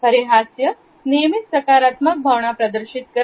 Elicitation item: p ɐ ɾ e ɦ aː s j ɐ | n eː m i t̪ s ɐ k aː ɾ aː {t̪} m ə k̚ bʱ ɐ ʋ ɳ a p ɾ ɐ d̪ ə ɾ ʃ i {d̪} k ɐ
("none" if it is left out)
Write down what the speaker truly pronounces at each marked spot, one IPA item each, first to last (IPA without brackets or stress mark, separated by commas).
t̪, t̪